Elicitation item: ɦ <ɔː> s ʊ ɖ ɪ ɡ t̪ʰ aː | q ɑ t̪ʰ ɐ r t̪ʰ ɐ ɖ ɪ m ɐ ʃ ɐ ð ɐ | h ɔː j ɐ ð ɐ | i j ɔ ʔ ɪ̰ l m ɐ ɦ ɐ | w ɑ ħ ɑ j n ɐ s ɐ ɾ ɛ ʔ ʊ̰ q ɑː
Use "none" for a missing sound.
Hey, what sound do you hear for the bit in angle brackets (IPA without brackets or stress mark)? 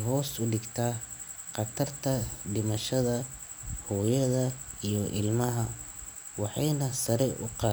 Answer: ɔː